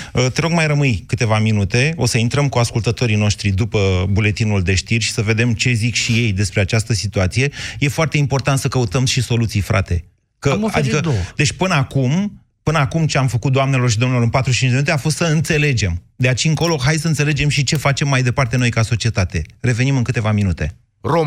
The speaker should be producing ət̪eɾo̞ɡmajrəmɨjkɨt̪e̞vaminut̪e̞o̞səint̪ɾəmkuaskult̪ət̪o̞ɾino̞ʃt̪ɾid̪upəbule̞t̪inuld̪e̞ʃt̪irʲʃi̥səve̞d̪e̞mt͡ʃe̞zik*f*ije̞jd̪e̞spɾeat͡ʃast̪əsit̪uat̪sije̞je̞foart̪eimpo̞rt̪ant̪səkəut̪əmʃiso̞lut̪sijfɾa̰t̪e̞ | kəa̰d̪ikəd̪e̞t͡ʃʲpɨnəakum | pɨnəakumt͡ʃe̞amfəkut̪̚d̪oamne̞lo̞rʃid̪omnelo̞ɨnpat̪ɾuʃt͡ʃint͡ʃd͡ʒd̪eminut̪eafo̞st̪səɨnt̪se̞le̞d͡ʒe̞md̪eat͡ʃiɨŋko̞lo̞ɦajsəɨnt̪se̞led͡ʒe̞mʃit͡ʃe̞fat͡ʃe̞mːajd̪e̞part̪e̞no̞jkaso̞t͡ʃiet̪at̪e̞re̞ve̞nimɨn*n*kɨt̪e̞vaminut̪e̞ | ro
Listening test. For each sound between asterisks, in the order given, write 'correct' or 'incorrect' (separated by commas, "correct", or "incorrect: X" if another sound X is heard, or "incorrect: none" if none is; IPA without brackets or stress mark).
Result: incorrect: ʃ, incorrect: ŋ